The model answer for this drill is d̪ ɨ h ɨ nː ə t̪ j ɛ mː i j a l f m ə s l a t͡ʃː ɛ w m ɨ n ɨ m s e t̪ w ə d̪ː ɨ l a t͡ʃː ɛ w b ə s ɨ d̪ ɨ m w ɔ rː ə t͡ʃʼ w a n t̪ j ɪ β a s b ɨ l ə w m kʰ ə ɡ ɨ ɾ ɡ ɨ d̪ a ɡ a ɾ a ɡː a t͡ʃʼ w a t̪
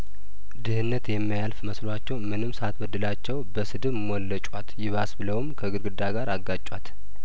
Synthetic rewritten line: d̪ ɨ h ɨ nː ə t̪ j ɛ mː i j a l f m ə s l a t͡ʃː ɛ w m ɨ n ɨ m s a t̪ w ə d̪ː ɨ l a t͡ʃː ɛ w b ə s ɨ d̪ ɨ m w ɔ lː ə t͡ʃʼ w a t̪ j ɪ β a s b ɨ l ə w m kʰ ə ɡ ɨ ɾ ɡ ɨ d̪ a ɡ a ɾ a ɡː a t͡ʃʼ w a t̪

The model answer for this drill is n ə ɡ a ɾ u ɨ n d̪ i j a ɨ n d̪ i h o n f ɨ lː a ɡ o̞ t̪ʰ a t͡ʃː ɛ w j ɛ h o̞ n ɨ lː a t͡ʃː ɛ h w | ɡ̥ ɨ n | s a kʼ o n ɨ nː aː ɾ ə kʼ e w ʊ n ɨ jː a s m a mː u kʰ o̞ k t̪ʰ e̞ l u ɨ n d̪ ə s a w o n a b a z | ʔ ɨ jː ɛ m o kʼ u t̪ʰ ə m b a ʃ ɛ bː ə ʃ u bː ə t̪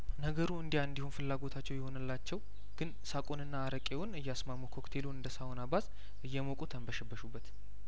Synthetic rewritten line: n ə ɡ ə ɾ u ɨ n d̪ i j a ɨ n d̪ i h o n f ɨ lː a ɡ o̞ t̪ʰ a t͡ʃː ɛ w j ɛ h o̞ n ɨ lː a t͡ʃː ɛ w | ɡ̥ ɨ n | s a kʼ o n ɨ nː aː ɾ ə kʼ e w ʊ n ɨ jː a s m a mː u kʰ o̞ k t̪ʰ e̞ l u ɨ n d̪ ə s a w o n a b a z | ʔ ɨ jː ɛ m o kʼ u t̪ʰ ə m b ə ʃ ɛ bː ə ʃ u bː ə t̪

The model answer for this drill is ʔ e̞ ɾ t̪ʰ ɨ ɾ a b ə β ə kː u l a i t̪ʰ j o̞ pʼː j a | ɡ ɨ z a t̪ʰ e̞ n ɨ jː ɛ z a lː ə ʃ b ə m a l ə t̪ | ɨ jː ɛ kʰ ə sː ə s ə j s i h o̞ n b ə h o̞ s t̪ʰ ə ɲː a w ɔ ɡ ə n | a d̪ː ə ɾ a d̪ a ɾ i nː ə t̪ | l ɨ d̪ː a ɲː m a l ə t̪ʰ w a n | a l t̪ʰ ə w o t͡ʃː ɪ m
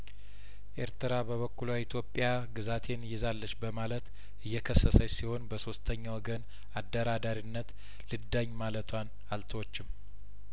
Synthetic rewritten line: ʔ e̞ ɾ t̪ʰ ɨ ɾ a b ə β ə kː u l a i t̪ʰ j o̞ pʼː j a | ɡ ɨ z a t̪ʰ e̞ n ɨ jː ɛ z a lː ə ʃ b ə m a l ə t̪ | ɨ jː ɛ kʰ ə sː ə s ə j s i h o̞ n b ə s o̞ s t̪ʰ ə ɲː a w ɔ ɡ ə n | a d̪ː ə ɾ a d̪ a ɾ i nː ə t̪ | l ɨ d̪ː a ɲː m a l ə t̪ʰ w a n | a l t̪ʰ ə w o t͡ʃː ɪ m

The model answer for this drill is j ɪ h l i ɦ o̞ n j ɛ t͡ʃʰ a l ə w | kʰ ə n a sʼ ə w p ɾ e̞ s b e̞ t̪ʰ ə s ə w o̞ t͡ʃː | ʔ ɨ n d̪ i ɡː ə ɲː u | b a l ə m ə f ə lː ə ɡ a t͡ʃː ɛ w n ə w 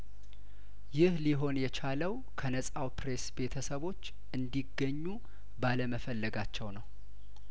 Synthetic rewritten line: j ɪ h l i ɦ o̞ n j ɛ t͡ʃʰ a l ə w | kʰ ə n ə sʼ a w p ɾ e̞ s b e̞ t̪ʰ ə s ə β o̞ t͡ʃː | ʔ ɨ n d̪ i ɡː ə ɲː u | b a l ə m ə f ə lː ə ɡ a t͡ʃː ɛ w n ə w

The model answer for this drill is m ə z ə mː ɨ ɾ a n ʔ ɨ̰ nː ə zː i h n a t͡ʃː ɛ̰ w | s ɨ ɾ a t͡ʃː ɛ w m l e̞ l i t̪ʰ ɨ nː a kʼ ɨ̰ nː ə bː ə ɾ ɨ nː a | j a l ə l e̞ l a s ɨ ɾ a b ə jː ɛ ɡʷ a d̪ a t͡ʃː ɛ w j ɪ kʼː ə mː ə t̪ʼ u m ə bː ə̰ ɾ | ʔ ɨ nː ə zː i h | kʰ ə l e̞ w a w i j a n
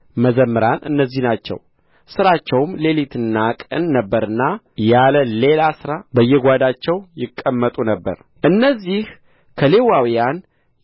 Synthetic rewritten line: m ə z ə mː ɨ ɾ a n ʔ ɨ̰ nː ə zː i h n a t͡ʃː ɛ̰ w | s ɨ ɾ a t͡ʃː ɛ w m l e̞ l i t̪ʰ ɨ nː a kʼ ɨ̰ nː ə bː ə ɾ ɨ nː a | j a l ə l e̞ l a s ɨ ɾ a b ə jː ɛ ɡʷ a d̪ a t͡ʃː ɛ w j ɪ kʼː ə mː ə t̪ʼ u n ə bː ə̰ ɾ | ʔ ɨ nː ə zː i h | kʰ ə l e̞ w a w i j a n

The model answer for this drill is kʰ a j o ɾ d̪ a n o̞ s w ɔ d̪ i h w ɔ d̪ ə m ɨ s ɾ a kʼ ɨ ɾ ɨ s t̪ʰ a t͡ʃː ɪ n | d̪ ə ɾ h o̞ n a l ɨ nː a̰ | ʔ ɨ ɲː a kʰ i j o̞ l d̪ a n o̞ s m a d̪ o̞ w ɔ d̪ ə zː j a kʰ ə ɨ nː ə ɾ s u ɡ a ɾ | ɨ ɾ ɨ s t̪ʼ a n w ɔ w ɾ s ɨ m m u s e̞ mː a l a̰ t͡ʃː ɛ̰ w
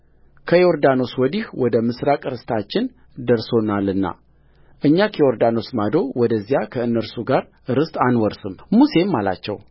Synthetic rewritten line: kʰ ə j o ɾ d̪ a n o̞ s w ɔ d̪ i h w ɔ d̪ ə m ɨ s ɾ a kʼ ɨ ɾ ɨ s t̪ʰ a t͡ʃː ɪ n | d̪ ə ɾ s o̞ n a l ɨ nː a̰ | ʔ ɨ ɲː a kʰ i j o̞ ɾ d̪ a n o̞ s m a d̪ o̞ w ɔ d̪ ə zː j a kʰ ə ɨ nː ə ɾ s u ɡ a ɾ | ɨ ɾ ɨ s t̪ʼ a n w ɔ ɾ s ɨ m m u s e̞ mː a l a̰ t͡ʃː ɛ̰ w

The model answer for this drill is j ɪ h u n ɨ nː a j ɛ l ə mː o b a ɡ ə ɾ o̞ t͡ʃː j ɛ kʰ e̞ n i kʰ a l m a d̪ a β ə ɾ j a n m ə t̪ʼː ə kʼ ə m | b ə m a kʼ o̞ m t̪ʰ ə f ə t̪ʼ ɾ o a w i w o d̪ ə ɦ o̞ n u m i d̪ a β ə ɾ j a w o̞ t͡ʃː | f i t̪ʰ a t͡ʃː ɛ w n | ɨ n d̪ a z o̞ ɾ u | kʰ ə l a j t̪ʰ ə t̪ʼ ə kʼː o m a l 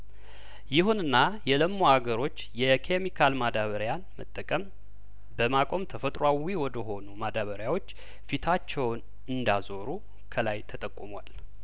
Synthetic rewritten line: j ɪ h u n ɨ nː a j ɛ l ə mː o a ɡ ə ɾ o̞ t͡ʃː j ɛ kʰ e̞ m i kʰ a l m a d̪ a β ə ɾ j a n m ə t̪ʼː ə kʼ ə m | b ə m a kʼ o̞ m t̪ʰ ə f ə t̪ʼ ɾ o a w i w ɔ d̪ ə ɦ o̞ n u m a d̪ a β ə ɾ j a w o̞ t͡ʃː | f i t̪ʰ a t͡ʃː ɛ w n | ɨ n d̪ a z o̞ ɾ u | kʰ ə l a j t̪ʰ ə t̪ʼ ə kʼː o m a l

